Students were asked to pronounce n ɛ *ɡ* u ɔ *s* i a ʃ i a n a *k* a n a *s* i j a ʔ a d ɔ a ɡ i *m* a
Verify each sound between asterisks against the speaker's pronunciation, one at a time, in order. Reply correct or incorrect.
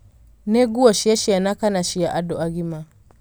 correct, incorrect: ʃ, correct, incorrect: ʃ, correct

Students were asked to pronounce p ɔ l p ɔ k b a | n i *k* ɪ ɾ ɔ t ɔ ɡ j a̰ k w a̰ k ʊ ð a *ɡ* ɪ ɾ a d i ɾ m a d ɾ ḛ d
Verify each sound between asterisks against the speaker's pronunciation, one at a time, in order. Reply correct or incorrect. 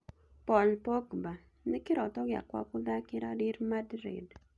correct, incorrect: k

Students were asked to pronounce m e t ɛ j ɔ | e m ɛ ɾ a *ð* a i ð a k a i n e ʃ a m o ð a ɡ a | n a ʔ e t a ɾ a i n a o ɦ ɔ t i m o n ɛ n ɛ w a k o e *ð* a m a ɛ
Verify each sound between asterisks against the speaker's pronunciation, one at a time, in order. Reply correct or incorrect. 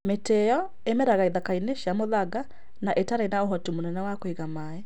incorrect: ɣ, incorrect: ɣ

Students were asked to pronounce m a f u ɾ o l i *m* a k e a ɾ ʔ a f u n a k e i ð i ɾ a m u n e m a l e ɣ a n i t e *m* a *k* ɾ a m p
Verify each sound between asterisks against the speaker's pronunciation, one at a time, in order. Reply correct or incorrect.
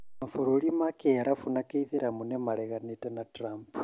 correct, incorrect: n, incorrect: t

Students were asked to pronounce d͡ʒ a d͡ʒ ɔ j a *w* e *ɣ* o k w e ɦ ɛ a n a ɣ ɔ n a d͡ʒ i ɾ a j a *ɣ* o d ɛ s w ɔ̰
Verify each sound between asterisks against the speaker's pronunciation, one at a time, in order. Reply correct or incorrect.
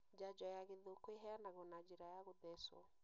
incorrect: ɣ, incorrect: ð, correct

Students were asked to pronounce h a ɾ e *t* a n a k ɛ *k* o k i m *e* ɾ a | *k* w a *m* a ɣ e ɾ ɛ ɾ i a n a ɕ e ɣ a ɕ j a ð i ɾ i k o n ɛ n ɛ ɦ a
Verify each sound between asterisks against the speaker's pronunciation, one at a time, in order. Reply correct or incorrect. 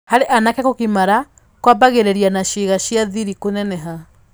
incorrect: ʔ, correct, incorrect: a, correct, incorrect: b

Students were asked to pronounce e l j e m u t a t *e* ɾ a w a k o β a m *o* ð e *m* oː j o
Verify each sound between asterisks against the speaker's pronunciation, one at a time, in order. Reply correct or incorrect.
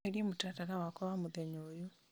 incorrect: a, incorrect: u, incorrect: ɲ

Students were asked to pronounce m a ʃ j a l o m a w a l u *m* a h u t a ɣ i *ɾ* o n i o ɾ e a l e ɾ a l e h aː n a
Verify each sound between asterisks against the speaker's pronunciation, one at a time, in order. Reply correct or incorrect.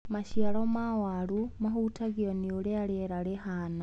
correct, incorrect: none

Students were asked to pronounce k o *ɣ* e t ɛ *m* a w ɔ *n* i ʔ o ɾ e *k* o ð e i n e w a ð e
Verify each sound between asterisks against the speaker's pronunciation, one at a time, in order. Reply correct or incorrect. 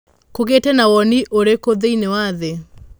correct, incorrect: n, correct, correct

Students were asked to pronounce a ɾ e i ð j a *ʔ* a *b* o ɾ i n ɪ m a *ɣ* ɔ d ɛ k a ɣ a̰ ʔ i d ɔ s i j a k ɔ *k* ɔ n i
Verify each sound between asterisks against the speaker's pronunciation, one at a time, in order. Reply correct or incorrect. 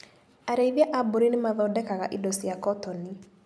correct, correct, incorrect: ð, incorrect: t

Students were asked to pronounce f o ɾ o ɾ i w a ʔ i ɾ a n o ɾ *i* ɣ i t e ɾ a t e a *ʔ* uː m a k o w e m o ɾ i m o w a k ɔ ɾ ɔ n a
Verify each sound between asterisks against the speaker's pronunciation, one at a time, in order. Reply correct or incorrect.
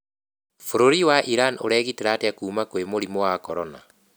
incorrect: ɛ, incorrect: k

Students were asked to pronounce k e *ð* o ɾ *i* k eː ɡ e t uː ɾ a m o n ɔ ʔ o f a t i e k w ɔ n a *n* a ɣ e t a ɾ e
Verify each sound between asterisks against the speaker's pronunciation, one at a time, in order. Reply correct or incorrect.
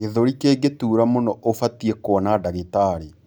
correct, correct, incorrect: d

